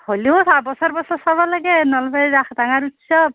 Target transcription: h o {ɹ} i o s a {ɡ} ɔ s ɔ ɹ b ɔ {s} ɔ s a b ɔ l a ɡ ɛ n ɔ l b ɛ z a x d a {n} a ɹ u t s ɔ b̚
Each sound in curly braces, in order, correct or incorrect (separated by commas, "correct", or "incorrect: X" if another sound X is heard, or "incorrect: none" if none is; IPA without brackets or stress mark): incorrect: l, incorrect: b, correct, incorrect: ŋ